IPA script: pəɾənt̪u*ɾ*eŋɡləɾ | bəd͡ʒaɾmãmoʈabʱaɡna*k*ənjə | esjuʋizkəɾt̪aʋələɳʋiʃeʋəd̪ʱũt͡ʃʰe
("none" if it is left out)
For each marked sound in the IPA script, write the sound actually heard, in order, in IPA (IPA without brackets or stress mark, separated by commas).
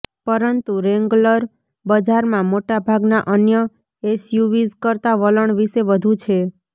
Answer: ɾ, ʔ